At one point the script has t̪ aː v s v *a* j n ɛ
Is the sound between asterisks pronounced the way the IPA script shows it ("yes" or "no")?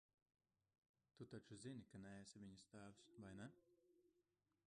yes